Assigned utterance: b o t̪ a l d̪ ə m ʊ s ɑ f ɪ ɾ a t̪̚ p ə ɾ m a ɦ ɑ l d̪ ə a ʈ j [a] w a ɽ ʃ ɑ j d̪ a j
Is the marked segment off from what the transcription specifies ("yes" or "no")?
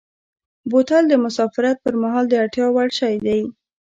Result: yes